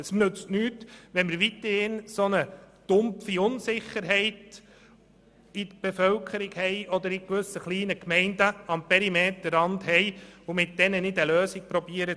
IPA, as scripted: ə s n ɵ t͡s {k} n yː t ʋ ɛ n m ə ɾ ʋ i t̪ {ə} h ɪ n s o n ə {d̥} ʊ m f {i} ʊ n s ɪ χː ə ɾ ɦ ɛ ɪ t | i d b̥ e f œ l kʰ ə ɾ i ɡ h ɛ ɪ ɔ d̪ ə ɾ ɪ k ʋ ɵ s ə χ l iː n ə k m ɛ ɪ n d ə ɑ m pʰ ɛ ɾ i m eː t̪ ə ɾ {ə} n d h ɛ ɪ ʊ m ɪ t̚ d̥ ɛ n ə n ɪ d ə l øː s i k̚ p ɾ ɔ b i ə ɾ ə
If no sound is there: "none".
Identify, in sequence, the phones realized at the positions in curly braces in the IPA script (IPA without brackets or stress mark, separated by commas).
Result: t, ə, d̥, i, ɑ